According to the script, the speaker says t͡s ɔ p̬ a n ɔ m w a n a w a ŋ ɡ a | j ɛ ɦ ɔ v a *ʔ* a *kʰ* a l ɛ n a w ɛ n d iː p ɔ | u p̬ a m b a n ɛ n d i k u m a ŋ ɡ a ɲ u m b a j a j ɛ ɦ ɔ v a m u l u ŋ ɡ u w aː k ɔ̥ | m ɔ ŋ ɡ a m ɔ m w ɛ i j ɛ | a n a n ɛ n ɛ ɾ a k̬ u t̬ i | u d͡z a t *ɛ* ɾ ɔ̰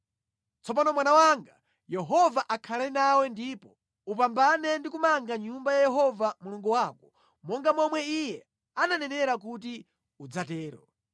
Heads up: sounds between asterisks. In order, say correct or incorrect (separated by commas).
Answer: correct, correct, incorrect